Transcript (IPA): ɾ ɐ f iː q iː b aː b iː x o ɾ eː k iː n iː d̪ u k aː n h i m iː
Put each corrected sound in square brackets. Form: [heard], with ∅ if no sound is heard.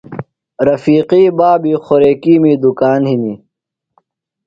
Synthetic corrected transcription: ɾ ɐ f iː q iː b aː b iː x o ɾ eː k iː [m] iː d̪ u k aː n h i [n] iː